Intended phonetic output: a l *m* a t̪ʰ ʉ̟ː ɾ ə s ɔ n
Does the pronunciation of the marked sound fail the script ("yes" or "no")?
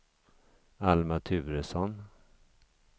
no